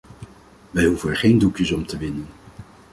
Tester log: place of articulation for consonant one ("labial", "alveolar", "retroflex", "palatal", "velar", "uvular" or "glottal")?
labial